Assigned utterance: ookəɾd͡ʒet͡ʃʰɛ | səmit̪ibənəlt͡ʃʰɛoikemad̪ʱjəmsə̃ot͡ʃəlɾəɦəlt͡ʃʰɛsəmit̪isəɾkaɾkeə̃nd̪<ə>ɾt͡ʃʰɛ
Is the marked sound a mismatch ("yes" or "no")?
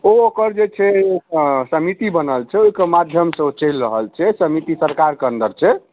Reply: no